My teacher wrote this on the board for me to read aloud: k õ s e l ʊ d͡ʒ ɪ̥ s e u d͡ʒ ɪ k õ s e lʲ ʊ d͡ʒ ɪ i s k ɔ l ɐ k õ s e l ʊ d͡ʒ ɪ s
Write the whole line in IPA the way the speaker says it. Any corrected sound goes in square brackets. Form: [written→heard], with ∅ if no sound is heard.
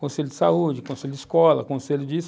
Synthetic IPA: k õ s e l ʊ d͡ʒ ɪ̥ s [e→a] u d͡ʒ ɪ k õ s e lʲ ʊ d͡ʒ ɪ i s k ɔ l ɐ k õ s e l ʊ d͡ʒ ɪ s